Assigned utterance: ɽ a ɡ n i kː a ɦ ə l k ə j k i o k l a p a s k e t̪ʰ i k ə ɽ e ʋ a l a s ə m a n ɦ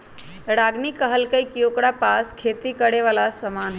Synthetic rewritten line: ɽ a ɡ n i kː ə ɦ ə l k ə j k i o k ɽ a p a s kʰ e t̪ i k ə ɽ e ʋ a l a s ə m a n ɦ